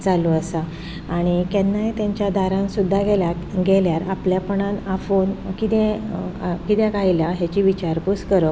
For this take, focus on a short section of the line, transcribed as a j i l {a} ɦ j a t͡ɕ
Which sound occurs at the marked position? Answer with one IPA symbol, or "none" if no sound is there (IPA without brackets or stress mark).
a